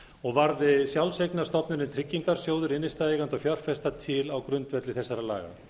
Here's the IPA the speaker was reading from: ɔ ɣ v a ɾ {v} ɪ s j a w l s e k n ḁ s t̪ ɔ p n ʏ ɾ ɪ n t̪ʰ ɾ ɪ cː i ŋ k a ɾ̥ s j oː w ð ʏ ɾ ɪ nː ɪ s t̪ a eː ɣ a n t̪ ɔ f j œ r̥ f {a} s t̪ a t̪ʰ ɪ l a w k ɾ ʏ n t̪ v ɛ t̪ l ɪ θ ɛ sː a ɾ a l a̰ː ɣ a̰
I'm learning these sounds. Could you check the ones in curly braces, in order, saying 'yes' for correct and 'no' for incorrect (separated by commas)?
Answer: no, no